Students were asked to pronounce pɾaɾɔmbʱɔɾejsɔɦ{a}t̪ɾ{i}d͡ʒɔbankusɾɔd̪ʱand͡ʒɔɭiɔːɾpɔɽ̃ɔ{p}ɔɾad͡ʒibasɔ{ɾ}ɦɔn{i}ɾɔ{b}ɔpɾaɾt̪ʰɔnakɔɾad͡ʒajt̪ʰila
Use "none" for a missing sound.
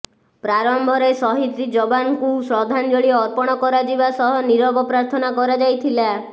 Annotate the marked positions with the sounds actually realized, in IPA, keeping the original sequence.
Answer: i, i, k, none, i, b

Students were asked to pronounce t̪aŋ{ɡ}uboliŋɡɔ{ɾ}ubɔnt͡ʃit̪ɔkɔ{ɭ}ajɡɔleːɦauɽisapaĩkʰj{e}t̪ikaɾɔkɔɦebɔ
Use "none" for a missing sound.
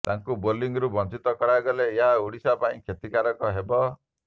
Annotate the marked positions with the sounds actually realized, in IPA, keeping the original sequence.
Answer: k, ɾ, ɽ, e

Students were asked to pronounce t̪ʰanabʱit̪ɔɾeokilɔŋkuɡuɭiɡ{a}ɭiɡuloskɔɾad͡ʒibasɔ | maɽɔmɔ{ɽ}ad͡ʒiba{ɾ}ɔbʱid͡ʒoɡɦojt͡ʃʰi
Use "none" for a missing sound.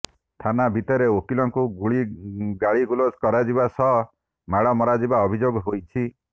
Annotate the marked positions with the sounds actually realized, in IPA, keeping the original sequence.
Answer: a, ɾ, none

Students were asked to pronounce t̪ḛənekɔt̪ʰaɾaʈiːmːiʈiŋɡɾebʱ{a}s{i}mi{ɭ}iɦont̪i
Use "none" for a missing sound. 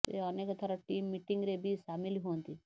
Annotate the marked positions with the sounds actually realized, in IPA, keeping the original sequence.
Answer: i, a, l

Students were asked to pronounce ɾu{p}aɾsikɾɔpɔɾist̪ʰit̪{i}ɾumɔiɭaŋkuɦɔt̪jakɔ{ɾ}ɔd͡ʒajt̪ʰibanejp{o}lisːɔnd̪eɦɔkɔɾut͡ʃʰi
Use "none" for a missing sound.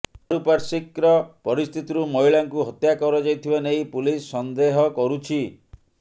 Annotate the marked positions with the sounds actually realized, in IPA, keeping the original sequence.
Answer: p, i, ɾ, u

